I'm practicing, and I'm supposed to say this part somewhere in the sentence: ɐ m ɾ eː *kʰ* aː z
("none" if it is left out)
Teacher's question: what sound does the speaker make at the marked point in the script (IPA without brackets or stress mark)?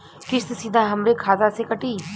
kʰ